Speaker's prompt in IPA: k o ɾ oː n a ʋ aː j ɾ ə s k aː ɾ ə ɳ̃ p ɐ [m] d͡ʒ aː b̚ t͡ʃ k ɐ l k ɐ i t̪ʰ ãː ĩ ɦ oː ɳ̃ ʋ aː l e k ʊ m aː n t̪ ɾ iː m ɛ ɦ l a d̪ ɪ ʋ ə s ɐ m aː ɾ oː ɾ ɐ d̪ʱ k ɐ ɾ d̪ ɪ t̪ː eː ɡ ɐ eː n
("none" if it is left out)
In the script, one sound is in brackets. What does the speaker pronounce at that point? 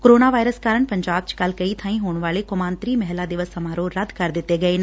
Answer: ɲ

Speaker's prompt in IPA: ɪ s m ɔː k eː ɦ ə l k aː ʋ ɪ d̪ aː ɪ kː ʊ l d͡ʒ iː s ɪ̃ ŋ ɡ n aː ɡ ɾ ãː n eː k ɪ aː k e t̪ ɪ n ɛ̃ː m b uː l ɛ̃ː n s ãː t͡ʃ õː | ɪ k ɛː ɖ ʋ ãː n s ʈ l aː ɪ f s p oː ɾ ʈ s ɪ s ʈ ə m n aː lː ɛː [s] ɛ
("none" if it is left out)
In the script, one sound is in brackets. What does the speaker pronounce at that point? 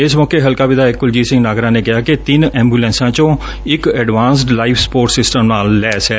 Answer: s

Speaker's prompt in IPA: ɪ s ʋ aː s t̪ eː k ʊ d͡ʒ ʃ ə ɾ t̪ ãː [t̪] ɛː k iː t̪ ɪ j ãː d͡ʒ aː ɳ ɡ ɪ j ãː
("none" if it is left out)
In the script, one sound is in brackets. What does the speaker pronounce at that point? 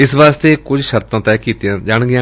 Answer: t̪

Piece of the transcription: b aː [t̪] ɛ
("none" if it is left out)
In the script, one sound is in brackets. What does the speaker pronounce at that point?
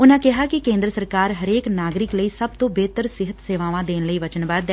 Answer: d̪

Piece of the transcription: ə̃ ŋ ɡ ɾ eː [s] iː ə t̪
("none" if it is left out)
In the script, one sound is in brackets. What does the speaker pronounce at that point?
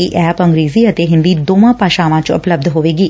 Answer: z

